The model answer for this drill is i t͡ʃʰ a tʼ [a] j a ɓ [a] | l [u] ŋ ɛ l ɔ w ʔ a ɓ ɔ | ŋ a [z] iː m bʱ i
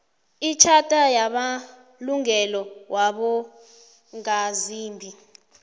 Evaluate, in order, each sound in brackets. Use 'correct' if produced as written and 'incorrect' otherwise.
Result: correct, correct, correct, correct

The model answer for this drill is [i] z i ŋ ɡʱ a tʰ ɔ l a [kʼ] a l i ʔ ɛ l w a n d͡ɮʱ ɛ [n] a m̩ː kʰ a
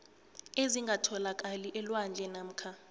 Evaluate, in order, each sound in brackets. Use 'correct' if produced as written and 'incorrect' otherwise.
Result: incorrect: e, correct, correct

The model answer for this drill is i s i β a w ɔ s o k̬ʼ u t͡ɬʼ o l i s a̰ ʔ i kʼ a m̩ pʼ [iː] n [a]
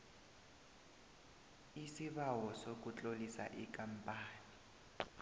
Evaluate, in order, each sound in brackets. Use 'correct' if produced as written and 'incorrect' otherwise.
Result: incorrect: aː, incorrect: i

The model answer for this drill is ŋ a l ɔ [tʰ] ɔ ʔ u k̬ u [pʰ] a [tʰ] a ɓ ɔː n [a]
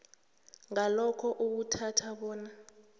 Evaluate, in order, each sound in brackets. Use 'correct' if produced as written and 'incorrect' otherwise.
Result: incorrect: kʰ, incorrect: tʰ, correct, correct

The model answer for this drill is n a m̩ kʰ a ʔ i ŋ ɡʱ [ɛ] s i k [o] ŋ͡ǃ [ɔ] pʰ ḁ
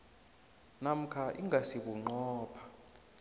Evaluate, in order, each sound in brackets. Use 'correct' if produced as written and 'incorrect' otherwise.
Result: incorrect: a, incorrect: u, incorrect: ɔː

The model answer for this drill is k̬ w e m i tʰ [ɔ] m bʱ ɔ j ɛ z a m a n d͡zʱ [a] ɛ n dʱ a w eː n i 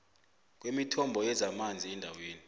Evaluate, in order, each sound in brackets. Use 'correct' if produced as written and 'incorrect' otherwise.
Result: correct, incorrect: i

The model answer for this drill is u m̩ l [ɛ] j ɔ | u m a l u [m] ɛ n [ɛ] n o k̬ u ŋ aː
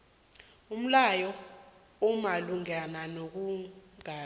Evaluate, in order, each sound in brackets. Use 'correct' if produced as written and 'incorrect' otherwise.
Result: incorrect: a, incorrect: ŋ, incorrect: a

